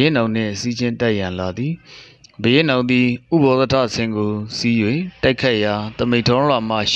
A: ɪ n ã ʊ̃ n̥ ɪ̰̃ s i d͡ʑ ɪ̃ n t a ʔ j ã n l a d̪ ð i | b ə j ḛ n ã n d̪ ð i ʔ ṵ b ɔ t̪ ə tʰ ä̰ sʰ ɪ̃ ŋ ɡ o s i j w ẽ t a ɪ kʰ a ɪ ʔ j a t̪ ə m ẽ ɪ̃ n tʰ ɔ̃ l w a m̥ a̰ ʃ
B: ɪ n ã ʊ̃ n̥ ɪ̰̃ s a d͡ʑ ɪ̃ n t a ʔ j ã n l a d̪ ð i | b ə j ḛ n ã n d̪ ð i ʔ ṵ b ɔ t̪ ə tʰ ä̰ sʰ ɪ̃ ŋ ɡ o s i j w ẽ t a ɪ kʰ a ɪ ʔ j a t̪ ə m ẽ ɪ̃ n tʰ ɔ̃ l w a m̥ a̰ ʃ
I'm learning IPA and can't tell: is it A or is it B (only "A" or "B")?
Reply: A